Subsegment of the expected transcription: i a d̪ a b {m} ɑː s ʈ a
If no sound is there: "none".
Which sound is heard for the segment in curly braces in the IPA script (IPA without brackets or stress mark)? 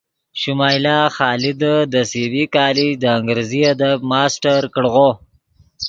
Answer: m